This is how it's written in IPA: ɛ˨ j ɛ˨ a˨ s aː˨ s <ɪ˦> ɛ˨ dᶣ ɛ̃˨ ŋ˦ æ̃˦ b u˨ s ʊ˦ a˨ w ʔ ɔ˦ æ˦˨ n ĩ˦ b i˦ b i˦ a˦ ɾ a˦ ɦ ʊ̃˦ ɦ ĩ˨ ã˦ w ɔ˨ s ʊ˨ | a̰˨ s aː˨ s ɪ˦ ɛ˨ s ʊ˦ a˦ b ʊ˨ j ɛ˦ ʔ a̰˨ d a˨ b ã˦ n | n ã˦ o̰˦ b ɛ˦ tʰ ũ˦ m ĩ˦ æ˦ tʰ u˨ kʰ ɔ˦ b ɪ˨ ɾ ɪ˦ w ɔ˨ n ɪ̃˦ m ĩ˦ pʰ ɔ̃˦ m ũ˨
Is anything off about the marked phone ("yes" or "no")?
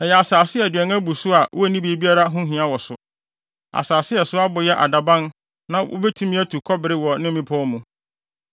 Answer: no